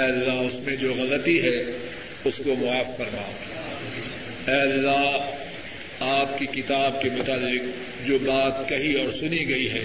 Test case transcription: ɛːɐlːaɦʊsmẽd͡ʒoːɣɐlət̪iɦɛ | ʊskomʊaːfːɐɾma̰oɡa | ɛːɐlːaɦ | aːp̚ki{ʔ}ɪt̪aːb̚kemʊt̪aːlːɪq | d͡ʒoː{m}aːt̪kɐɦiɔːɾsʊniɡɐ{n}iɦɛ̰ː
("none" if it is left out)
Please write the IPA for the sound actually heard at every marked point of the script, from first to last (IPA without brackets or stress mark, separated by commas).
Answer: k, b, none